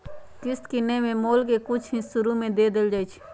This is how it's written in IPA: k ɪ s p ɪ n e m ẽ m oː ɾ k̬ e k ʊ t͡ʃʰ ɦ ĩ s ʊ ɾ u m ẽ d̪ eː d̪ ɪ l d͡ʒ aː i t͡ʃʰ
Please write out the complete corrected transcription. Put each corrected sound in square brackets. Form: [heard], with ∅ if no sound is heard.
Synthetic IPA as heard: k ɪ s [k] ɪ n e m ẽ m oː [l] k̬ e k ʊ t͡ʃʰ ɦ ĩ s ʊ ɾ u m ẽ d̪ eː d̪ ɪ l d͡ʒ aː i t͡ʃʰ